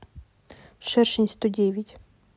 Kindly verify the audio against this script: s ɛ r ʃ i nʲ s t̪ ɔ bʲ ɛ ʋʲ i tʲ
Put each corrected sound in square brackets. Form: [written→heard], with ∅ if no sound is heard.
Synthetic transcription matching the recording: [s→ʃ] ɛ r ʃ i nʲ s t̪ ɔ [bʲ→dʲ] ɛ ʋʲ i tʲ